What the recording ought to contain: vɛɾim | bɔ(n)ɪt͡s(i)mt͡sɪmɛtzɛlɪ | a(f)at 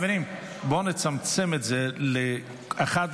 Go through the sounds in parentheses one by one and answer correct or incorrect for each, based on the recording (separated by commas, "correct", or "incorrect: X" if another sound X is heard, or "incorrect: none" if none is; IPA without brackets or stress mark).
correct, incorrect: a, incorrect: χ